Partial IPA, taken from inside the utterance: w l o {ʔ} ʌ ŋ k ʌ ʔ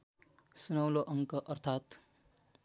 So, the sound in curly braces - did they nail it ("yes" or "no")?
yes